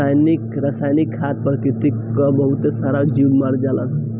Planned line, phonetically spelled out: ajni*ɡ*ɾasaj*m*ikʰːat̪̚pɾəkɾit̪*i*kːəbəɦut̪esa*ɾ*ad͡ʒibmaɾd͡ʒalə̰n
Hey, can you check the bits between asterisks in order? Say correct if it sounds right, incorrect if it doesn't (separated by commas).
incorrect, incorrect, correct, correct